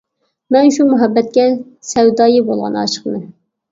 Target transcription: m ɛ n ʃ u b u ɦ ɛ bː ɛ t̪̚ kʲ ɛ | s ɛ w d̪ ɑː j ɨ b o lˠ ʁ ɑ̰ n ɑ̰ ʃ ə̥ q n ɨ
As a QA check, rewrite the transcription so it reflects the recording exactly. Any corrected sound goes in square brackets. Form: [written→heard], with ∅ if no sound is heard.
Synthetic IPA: m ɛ n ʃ u [b→m] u ɦ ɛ bː ɛ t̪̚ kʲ ɛ | s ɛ w d̪ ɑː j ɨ b o lˠ ʁ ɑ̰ n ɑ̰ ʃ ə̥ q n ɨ